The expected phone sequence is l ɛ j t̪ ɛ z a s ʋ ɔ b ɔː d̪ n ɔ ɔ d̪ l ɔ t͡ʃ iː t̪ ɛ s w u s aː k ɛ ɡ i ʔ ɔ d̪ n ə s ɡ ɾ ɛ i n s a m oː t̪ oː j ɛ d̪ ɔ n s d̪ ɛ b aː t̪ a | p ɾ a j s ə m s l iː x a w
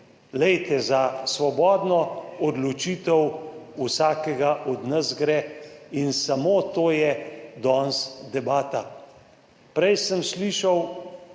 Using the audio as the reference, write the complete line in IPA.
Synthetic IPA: l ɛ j t̪ ɛ z a s ʋ ɔ b ɔː d̪ n ɔ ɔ d̪ l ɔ t͡ʃ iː t̪ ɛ w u s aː k ɛ ɡ a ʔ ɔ d̪ n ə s ɡ ɾ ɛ i n s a m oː t̪ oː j ɛ d̪ ɔ n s d̪ ɛ b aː t̪ a | p ɾ ɛ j s ə m s l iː ʃ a w